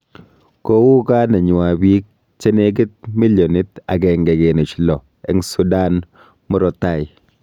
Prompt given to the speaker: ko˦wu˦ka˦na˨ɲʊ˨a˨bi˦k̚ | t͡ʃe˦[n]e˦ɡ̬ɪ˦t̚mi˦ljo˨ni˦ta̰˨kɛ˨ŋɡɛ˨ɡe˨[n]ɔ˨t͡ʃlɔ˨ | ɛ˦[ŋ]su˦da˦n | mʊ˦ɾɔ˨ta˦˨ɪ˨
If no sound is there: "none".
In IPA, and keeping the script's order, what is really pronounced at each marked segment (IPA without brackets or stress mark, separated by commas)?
n, n, ŋ